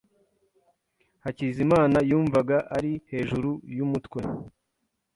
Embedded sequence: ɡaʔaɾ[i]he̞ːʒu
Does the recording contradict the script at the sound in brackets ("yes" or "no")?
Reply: no